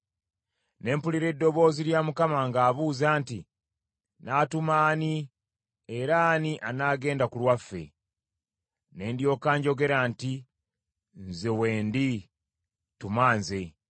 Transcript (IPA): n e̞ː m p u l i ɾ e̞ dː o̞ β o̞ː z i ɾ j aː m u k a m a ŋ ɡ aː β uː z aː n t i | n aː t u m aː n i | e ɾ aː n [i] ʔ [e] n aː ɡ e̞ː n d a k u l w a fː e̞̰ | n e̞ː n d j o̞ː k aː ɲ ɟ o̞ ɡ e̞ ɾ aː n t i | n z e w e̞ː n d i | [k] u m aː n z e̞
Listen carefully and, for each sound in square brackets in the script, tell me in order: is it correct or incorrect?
correct, incorrect, incorrect

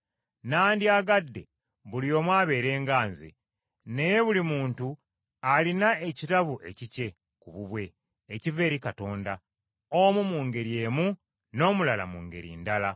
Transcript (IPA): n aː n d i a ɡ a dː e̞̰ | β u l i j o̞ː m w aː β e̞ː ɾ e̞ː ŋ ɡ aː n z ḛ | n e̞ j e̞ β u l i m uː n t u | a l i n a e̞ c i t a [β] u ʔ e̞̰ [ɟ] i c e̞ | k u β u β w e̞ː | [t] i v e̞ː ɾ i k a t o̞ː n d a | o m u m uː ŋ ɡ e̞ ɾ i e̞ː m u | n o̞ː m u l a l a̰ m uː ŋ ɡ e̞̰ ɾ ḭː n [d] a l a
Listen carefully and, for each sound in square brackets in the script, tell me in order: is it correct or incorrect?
correct, incorrect, incorrect, correct

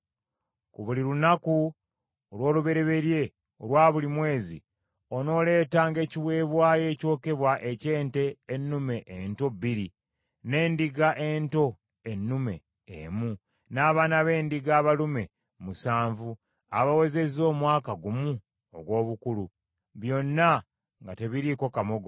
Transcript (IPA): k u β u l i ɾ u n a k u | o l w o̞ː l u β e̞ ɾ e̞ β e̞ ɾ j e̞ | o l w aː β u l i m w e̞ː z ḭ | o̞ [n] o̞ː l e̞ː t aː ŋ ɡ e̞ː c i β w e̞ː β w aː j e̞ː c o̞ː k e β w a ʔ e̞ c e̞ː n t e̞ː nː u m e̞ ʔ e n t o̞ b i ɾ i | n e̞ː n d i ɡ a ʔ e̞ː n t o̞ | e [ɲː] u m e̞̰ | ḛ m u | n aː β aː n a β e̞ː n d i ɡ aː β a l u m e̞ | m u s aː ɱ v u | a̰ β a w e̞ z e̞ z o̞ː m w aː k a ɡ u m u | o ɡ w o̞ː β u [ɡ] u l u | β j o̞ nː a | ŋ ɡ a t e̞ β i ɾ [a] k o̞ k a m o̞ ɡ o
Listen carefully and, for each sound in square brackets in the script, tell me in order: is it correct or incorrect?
correct, incorrect, incorrect, incorrect

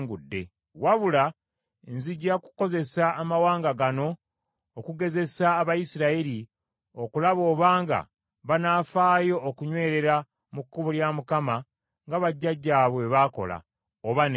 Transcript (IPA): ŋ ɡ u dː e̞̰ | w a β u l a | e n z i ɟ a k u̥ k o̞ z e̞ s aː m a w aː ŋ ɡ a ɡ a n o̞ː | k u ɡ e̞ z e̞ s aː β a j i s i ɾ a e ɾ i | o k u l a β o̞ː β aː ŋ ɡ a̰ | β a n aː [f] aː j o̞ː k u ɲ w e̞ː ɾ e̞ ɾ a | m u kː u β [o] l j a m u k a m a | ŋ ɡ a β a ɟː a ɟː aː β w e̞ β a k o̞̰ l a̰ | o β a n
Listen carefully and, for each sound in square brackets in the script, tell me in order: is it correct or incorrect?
correct, incorrect

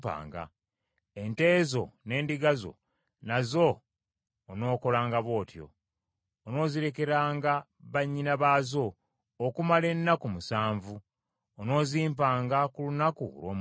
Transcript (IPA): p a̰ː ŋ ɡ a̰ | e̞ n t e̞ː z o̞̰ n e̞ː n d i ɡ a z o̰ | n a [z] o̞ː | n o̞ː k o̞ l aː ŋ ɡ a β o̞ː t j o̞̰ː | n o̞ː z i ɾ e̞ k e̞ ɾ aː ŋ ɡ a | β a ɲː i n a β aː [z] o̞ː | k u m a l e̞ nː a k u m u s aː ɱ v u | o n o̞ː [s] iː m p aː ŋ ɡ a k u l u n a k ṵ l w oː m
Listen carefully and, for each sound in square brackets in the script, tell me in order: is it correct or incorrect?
correct, correct, incorrect

